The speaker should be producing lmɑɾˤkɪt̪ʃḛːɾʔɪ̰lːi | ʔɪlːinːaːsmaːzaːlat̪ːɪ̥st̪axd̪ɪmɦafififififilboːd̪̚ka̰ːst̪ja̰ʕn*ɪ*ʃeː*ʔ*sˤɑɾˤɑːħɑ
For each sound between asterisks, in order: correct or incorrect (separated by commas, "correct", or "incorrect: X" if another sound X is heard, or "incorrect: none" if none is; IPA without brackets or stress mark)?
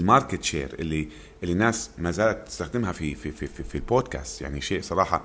incorrect: i, correct